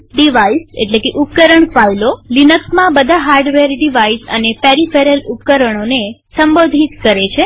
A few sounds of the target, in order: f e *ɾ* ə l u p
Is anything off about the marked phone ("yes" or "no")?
no